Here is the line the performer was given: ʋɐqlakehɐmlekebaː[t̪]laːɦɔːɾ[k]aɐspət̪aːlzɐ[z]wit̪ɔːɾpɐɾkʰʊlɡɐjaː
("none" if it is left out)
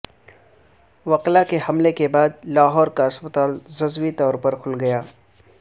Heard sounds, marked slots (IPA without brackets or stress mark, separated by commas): d̪, k, z